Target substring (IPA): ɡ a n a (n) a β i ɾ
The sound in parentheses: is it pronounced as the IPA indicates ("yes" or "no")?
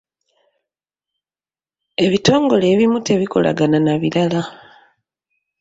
yes